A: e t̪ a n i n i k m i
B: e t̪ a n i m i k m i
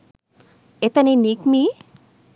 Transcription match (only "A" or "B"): A